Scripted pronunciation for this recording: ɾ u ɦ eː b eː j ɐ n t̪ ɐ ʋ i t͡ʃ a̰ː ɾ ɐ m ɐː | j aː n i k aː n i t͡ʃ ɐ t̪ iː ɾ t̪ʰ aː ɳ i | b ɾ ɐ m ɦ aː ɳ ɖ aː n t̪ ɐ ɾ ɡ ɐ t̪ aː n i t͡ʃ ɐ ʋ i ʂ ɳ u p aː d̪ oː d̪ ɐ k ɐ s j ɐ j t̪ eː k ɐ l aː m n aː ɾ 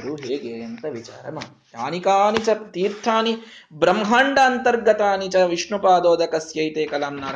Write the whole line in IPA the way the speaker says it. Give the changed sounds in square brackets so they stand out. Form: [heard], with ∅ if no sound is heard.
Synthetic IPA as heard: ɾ u ɦ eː [ɡ] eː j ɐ n t̪ ɐ ʋ i t͡ʃ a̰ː ɾ ɐ m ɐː | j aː n i k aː n i t͡ʃ ɐ t̪ iː ɾ t̪ʰ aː [n] i | b ɾ ɐ m ɦ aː ɳ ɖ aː n t̪ ɐ ɾ ɡ ɐ t̪ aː n i t͡ʃ ɐ ʋ i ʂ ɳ u p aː d̪ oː d̪ ɐ k ɐ s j ɐ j t̪ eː k ɐ l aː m n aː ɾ